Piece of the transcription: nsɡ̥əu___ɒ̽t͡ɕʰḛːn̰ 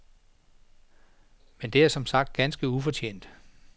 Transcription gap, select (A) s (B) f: B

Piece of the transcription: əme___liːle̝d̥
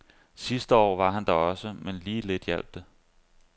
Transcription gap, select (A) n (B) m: A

